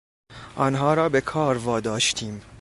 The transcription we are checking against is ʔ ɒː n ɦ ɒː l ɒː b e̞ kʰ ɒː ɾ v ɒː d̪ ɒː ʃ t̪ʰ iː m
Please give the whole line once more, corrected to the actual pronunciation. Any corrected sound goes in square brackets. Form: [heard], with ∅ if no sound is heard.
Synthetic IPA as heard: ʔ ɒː n ɦ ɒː [ɾ] ɒː b e̞ kʰ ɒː ɾ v ɒː d̪ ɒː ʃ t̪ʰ iː m